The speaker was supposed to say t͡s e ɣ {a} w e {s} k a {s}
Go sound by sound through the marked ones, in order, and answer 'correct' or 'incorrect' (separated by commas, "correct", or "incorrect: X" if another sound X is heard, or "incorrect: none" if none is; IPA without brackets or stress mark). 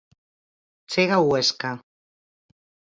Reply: correct, correct, incorrect: none